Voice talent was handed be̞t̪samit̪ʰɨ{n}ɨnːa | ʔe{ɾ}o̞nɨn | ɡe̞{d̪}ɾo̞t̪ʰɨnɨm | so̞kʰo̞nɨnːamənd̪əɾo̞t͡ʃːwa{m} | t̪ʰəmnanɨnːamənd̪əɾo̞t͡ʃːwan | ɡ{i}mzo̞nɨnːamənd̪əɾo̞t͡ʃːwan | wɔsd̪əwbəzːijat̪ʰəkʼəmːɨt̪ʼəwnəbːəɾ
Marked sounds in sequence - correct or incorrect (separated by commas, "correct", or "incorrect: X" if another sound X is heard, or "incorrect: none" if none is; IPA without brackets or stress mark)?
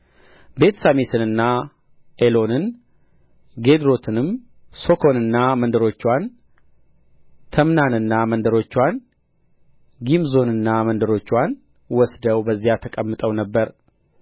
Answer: correct, incorrect: l, correct, incorrect: n, correct